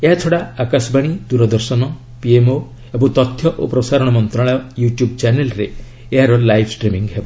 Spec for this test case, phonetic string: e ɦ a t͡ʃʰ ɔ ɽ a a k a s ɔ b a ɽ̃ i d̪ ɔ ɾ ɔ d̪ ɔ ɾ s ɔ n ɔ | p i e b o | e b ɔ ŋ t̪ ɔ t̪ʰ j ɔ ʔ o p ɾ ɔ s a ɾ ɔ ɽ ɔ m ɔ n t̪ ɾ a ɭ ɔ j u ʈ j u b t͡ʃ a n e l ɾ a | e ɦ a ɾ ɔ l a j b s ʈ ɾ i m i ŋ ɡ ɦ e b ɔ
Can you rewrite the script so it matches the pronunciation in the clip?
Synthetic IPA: e ɦ a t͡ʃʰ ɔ ɽ a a k a s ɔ b a ɽ̃ i d̪ u ɾ ɔ d̪ ɔ ɾ s ɔ n ɔ | p i e m o | e b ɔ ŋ t̪ ɔ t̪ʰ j ɔ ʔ o p ɾ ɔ s a ɾ ɔ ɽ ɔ m ɔ n t̪ ɾ a ɭ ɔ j u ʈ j u b t͡ʃ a n e l ɾ e | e ɦ a ɾ ɔ l a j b s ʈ ɾ i m i ŋ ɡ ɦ e b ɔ

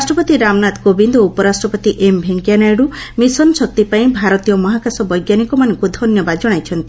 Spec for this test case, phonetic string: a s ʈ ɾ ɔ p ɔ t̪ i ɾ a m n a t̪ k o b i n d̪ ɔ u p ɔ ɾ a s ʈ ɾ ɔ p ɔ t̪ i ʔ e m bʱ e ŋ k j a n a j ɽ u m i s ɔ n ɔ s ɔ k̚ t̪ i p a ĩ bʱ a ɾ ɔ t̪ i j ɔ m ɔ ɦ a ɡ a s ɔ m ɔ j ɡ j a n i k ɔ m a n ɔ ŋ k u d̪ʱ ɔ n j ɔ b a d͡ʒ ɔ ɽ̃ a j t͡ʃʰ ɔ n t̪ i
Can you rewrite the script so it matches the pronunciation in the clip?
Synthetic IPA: a s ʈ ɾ ɔ p ɔ t̪ i ɾ a m n a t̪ k o b i n d̪ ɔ u p ɔ ɾ a s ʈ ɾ ɔ p ɔ t̪ i ʔ e m bʱ e ŋ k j a n a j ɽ u m i s ɔ n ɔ s ɔ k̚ t̪ i p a ĩ bʱ a ɾ ɔ t̪ i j ɔ m ɔ ɦ a k a s ɔ b ɔ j ɡ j a n i k ɔ m a n ɔ ŋ k u d̪ʱ ɔ n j ɔ b a d͡ʒ ɔ ɽ̃ a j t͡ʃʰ ɔ n t̪ i

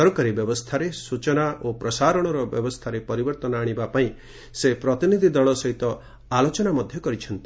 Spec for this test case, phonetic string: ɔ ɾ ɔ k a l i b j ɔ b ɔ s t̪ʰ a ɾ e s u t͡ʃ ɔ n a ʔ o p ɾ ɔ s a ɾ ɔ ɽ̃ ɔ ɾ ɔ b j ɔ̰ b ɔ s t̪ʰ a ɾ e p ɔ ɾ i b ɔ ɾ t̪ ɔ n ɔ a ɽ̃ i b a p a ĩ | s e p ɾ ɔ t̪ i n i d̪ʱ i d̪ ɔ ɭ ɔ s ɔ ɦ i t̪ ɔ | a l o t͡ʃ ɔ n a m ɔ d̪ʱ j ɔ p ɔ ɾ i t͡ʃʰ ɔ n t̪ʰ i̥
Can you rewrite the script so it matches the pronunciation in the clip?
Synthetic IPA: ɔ ɾ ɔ k a ɾ i b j ɔ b ɔ s t̪ʰ a ɾ e s u t͡ʃ ɔ n a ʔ o p ɾ ɔ s a ɾ ɔ ɽ̃ ɔ ɾ ɔ b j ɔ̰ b ɔ s t̪ʰ a ɾ e p ɔ ɾ i b ɔ ɾ t̪ ɔ n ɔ a ɽ̃ i b a p a ĩ | s e p ɾ ɔ t̪ i n i d̪ʱ i d̪ ɔ ɭ ɔ s ɔ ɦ i t̪ ɔ | a l o t͡ʃ ɔ n a m ɔ d̪ʱ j ɔ k ɔ ɾ i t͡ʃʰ ɔ n t̪ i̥

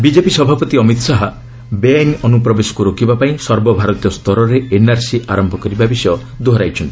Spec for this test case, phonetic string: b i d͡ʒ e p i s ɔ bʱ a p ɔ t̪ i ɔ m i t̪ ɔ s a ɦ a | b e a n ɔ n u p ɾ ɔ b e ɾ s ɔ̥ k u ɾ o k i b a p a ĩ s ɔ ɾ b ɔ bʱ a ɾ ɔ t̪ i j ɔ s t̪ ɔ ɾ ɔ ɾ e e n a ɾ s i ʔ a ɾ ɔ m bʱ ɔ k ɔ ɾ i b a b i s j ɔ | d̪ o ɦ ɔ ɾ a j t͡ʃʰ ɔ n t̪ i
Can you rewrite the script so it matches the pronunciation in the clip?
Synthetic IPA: b i d͡ʒ e p i s ɔ bʱ a p ɔ t̪ i ɔ m i t̪ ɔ s a ɦ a | b e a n ɔ n u p ɾ ɔ b e s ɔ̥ k u ɾ o k i b a p a ĩ s ɔ ɾ b ɔ bʱ a ɾ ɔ t̪ i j ɔ s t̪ ɔ ɾ ɔ ɾ e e n a ɾ s i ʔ a ɾ ɔ m bʱ ɔ k ɔ ɾ i b a b i s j ɔ | d̪ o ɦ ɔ ɾ a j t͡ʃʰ ɔ n t̪ i

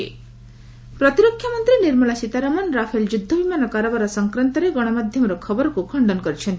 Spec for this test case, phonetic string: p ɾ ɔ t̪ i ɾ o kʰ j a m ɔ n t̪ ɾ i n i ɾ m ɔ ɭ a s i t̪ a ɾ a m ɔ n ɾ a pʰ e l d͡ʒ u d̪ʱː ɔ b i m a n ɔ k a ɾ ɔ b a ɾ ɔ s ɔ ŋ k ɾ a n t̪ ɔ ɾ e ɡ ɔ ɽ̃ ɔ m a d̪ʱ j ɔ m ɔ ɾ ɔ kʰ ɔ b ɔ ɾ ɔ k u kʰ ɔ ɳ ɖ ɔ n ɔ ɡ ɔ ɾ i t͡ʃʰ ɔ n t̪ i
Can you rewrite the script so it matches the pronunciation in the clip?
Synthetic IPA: p ɾ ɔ t̪ i ɾ o kʰ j a m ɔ n t̪ ɾ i n i ɾ m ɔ ɭ a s i t̪ a ɾ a m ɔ n ɾ a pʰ e l d͡ʒ u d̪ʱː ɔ b i m a n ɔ k a ɾ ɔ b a ɾ ɔ s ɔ ŋ k ɾ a n t̪ ɔ ɾ e ɡ ɔ ɽ̃ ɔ m a d̪ʱ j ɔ m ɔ ɾ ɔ kʰ ɔ b ɔ ɾ ɔ k u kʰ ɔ ɳ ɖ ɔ n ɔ k ɔ ɾ i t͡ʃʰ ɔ n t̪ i

